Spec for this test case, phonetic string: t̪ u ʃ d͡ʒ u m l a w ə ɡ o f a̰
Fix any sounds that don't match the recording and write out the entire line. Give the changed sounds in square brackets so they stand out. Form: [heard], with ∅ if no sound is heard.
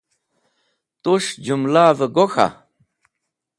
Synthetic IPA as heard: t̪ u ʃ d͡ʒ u m l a [v] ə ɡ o [x] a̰